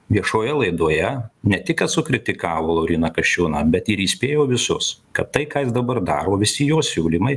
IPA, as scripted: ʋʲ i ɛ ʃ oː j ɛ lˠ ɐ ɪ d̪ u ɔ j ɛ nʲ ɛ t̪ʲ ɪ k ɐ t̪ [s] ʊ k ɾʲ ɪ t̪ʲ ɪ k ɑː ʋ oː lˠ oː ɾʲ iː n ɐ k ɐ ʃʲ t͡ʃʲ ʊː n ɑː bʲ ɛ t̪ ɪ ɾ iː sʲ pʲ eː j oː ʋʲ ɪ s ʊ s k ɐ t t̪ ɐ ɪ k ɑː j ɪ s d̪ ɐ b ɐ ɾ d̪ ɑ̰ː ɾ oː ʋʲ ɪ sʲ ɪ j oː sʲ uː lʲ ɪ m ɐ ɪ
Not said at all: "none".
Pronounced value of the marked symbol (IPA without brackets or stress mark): s